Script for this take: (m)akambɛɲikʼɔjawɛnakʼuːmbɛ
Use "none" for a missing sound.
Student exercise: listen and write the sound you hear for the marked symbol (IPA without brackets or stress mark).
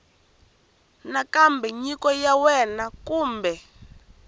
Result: n